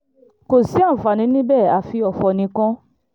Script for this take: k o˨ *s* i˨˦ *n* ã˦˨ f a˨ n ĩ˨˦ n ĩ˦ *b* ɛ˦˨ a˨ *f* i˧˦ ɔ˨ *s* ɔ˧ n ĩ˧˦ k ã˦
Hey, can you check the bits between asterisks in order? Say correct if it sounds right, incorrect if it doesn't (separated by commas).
correct, incorrect, correct, correct, incorrect